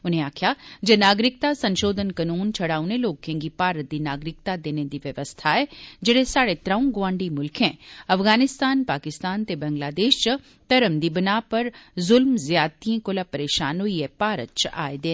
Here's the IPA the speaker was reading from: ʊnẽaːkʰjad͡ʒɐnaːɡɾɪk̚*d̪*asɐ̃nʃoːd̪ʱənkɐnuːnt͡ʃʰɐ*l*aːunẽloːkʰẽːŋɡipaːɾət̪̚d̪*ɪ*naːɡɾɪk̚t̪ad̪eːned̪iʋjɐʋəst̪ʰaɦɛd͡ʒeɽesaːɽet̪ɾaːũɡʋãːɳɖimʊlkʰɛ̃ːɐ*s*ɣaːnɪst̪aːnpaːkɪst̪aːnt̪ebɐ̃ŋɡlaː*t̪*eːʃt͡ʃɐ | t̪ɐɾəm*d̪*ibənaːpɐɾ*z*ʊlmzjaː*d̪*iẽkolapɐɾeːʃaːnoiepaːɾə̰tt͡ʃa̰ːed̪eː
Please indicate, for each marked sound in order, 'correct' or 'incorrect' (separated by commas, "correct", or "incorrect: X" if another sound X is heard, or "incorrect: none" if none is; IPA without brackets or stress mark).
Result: incorrect: t̪, incorrect: ɽ, incorrect: i, incorrect: f, incorrect: d̪, correct, correct, incorrect: t̪